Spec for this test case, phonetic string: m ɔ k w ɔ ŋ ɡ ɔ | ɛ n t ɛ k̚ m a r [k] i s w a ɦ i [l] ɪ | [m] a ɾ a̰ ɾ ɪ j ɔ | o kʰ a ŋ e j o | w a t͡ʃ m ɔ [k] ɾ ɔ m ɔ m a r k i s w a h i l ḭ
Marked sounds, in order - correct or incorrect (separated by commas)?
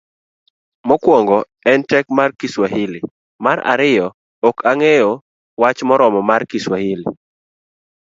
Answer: correct, correct, correct, incorrect